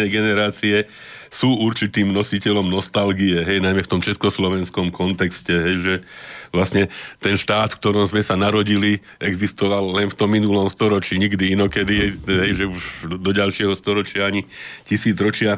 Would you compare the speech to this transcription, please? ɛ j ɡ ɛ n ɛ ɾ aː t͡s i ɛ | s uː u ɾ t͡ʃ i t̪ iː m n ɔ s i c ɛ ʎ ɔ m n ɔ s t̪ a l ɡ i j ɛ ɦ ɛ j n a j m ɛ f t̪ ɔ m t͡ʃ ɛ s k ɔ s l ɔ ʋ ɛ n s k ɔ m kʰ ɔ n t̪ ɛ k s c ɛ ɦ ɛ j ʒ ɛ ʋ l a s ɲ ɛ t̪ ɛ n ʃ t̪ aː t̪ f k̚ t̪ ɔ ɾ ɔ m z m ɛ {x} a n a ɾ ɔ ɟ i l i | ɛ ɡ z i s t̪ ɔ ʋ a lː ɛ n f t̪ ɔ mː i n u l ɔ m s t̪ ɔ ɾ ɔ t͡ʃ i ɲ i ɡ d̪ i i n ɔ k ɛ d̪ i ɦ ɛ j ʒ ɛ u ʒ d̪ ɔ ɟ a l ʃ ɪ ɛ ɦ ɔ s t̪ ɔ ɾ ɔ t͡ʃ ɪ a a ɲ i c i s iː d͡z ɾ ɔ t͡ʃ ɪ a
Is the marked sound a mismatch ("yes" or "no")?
yes